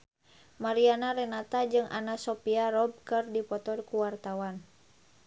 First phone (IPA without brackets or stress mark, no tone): m